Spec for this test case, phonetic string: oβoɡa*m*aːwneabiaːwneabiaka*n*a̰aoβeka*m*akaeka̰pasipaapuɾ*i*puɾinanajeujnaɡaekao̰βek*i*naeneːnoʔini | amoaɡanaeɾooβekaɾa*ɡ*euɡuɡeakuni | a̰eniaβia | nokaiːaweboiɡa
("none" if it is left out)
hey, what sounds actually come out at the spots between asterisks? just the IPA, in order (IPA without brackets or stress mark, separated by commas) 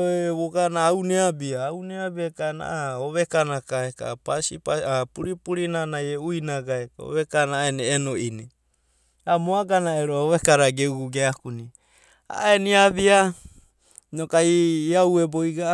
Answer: n, n, n, i, a, ɡ